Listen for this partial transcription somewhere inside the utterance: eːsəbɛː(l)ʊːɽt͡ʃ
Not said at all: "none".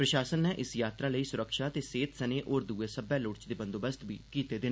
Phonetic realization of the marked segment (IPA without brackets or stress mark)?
l